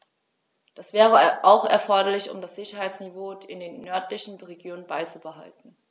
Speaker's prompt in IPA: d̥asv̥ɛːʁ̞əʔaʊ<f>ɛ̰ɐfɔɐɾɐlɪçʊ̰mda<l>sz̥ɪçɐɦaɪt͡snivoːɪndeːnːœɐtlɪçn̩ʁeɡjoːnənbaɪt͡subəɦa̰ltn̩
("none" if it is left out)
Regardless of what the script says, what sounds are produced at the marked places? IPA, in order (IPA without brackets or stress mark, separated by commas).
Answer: x, none